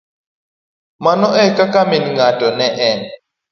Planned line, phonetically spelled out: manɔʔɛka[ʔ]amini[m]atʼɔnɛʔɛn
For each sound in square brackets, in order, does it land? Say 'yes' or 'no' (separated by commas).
no, no